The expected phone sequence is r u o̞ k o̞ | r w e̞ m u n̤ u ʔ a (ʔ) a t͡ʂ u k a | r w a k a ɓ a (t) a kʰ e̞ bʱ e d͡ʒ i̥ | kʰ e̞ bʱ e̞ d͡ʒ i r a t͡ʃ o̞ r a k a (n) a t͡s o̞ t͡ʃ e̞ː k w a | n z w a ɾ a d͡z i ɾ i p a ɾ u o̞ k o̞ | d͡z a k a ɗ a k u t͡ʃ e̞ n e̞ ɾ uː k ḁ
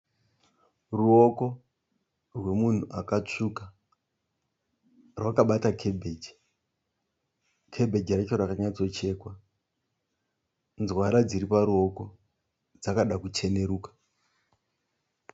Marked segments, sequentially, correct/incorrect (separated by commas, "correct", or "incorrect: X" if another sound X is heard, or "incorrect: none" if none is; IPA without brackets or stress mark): incorrect: k, correct, incorrect: ɲ